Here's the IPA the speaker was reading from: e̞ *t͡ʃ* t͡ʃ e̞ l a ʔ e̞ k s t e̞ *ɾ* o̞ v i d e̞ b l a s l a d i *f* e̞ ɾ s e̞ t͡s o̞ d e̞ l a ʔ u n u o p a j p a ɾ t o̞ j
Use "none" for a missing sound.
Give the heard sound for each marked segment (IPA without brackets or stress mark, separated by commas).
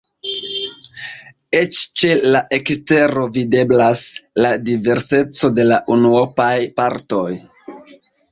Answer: t͡ʃ, ɾ, v